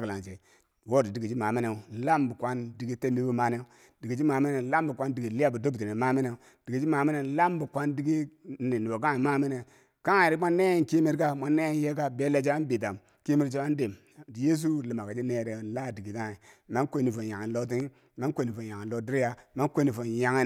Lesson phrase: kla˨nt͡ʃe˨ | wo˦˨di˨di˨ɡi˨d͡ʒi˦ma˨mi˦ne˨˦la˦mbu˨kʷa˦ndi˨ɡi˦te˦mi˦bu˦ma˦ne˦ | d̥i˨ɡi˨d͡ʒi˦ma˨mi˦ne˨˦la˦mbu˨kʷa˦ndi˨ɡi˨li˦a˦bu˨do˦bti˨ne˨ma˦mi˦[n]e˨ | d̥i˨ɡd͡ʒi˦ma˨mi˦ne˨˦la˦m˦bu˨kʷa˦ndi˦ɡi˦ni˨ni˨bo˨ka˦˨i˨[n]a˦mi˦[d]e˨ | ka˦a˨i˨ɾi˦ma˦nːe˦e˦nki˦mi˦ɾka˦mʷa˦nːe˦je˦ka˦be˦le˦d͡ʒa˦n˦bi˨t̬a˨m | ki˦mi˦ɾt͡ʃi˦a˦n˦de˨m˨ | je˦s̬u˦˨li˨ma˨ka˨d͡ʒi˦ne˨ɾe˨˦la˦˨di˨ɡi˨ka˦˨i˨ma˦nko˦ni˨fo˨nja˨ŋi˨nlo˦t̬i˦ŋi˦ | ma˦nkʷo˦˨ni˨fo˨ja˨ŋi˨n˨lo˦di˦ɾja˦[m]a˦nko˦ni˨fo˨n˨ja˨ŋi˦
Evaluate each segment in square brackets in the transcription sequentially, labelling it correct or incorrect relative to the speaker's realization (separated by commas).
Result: correct, incorrect, incorrect, correct